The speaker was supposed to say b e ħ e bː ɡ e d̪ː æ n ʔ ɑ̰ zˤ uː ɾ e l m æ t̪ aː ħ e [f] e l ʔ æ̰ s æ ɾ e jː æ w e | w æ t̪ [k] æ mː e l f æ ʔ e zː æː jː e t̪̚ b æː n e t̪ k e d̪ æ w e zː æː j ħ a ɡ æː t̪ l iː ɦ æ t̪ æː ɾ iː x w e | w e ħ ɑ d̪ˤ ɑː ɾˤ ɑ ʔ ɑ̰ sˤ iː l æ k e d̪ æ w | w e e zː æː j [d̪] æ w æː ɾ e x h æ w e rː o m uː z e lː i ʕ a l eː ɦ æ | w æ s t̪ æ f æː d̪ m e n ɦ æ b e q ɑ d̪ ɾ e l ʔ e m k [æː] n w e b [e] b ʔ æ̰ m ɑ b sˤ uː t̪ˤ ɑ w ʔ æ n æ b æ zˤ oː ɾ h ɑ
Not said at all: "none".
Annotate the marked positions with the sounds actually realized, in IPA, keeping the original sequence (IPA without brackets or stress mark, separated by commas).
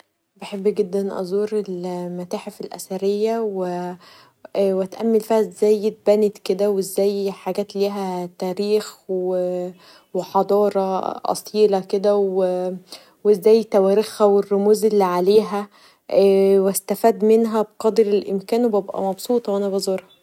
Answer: f, ʔ, t̪, æː, æ